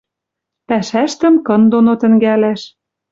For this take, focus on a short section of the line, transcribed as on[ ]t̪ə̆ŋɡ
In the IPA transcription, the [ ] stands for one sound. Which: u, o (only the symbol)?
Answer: o